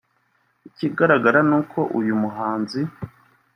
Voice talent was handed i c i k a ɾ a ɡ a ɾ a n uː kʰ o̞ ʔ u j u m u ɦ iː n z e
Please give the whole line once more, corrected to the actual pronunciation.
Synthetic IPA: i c i ɡ a ɾ a ɡ a ɾ a n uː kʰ o̞ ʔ u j u m u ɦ aː n z i